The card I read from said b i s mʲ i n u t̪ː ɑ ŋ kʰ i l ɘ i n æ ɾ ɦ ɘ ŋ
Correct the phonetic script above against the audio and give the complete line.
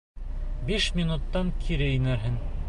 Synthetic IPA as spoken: b i ʃ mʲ i n u t̪ː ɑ ŋ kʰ i ɾ ɘ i n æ ɾ ɦ ɘ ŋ